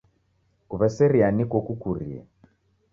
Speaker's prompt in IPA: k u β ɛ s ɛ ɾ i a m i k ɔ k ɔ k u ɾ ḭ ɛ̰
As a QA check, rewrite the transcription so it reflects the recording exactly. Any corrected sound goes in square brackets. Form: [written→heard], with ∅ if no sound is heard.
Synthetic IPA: k u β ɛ s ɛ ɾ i a [m→n] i k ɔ k [ɔ→u] k u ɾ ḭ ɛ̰

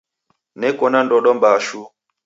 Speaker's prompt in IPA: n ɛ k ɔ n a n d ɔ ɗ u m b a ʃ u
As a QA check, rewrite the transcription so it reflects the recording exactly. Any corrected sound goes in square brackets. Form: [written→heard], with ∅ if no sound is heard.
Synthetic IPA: n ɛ k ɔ n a n d ɔ ɗ [u→ɔ] m b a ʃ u

